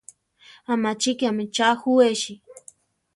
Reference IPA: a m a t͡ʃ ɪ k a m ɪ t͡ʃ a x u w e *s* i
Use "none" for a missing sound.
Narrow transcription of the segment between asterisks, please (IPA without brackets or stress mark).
ʃ